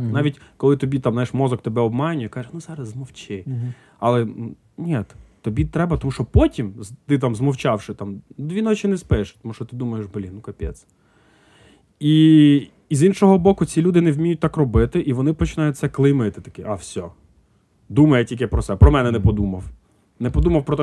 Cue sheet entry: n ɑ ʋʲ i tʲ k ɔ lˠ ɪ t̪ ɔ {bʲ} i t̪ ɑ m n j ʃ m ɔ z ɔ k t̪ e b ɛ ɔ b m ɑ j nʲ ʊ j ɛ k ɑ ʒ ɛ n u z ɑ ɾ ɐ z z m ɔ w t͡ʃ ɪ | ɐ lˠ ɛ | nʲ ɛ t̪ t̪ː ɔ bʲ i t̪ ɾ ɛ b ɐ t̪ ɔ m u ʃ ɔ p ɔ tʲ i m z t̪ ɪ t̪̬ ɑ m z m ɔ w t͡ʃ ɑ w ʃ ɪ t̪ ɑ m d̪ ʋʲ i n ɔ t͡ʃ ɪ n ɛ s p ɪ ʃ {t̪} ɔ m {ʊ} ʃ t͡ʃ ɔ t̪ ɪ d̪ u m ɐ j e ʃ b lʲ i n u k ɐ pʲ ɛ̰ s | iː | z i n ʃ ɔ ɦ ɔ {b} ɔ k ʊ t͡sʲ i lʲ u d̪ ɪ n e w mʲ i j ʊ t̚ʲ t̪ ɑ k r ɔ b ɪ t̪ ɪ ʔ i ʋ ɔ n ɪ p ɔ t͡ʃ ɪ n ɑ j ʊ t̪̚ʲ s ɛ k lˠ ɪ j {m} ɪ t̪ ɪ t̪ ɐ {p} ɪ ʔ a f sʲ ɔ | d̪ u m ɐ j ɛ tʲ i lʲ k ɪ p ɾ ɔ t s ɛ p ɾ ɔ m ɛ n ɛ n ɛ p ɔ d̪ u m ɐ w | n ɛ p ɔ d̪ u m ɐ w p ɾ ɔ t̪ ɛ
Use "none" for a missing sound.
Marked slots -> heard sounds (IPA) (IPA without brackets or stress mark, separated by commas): bʲ, t̪, u, b, m, k